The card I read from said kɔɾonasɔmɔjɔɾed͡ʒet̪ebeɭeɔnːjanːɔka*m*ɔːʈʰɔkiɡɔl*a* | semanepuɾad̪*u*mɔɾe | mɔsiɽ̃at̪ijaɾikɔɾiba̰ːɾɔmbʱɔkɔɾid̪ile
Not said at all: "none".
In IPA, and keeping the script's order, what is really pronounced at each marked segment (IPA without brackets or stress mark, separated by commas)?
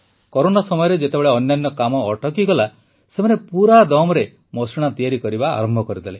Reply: m, a, ɔ